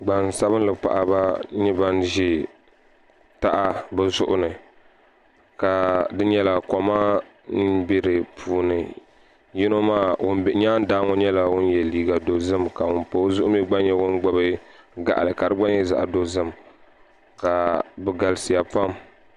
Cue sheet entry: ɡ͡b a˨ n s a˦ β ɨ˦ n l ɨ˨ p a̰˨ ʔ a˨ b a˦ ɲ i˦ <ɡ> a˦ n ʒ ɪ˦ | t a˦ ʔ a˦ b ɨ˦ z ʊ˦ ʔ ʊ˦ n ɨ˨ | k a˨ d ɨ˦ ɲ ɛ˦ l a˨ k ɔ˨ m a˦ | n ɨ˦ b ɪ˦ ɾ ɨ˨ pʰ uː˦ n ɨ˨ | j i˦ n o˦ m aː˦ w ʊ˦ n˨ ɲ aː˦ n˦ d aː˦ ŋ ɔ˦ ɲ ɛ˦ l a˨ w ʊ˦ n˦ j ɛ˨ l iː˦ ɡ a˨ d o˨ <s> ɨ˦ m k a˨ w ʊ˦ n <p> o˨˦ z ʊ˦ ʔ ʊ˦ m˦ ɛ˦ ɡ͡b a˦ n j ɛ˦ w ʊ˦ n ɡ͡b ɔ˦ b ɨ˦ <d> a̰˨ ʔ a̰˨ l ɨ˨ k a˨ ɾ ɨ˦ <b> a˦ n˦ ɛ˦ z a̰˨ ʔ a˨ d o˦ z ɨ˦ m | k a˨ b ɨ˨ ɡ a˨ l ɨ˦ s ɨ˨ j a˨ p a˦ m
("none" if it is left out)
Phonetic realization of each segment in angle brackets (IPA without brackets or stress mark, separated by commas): b, z, p, ɡ, ɡ͡b